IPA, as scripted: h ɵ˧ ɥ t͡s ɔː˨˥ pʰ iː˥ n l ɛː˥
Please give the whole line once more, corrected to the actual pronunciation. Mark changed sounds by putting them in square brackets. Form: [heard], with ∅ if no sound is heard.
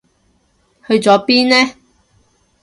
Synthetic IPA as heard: h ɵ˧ ɥ t͡s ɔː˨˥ [p] iː˥ n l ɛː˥